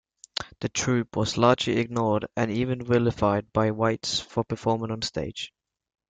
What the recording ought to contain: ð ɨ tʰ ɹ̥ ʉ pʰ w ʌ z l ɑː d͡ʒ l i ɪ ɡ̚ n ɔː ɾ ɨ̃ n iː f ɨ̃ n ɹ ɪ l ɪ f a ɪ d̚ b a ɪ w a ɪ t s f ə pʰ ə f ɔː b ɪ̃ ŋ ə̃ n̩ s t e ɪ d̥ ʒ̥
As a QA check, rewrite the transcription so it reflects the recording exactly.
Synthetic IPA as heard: ð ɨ tʰ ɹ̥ ʉ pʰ w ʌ z l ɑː d͡ʒ l i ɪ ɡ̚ n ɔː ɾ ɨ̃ n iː v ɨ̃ n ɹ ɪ l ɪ f a ɪ d̚ b a ɪ w a ɪ t s f ə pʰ ə f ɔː m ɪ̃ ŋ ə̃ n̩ s t e ɪ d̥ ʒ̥